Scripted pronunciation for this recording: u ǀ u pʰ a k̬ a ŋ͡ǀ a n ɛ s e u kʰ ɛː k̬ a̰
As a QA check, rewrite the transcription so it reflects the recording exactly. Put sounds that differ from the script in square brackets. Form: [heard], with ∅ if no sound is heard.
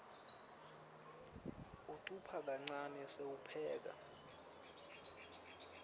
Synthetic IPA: u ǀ u pʰ a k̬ a ŋ͡ǀ a n ɛ s e u [pʰ] ɛː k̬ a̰